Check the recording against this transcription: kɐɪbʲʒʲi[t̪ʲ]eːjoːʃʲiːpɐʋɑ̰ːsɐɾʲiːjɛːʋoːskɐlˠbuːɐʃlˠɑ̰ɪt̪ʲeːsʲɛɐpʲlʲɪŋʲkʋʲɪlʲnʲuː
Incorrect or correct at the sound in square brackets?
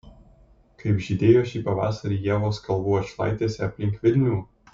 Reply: incorrect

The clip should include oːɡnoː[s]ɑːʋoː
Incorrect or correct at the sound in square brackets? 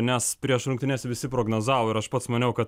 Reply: incorrect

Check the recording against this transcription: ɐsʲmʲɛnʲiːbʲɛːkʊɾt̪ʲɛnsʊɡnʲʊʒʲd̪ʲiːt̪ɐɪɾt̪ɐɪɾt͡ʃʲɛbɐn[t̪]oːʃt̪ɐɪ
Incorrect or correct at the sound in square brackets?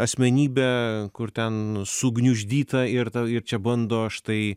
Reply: incorrect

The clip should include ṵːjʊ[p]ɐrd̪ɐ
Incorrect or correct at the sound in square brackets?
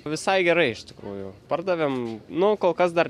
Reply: correct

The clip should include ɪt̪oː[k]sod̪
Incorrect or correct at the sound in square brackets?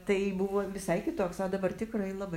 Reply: correct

